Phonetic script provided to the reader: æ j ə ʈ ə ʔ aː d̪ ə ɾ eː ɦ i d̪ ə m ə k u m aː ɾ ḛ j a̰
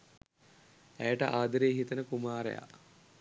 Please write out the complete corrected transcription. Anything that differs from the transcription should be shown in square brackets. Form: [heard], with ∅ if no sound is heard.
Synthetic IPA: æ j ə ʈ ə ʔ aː d̪ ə ɾ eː ɦ i [t̪] ə [n] ə k u m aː ɾ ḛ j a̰